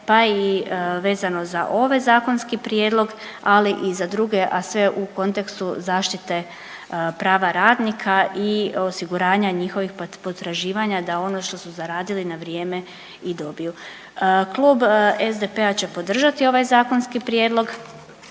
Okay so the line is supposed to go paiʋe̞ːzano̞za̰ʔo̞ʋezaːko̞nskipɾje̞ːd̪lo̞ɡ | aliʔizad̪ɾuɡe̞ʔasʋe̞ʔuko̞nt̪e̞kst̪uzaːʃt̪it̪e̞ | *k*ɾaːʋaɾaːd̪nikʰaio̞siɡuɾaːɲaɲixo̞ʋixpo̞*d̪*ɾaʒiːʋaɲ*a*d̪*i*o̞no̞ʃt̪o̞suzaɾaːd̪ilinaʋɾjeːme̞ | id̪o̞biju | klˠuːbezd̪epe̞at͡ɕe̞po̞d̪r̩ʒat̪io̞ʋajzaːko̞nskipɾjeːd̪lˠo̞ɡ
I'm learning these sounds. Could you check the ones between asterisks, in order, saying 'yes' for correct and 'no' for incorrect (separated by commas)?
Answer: no, no, yes, no